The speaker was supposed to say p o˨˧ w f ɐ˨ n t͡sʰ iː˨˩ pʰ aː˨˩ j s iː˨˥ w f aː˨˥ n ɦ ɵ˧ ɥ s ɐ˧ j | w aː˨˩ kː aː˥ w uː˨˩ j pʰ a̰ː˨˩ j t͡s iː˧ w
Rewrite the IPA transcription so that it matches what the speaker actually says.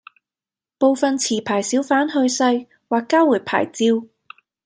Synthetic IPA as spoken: p o˨˧ w f ɐ˨ n t͡sʰ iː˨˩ pʰ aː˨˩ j s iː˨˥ w f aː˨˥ n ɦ ɵ˧ ɥ s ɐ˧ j | w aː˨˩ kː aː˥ w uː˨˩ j pʰ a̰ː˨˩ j t͡s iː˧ w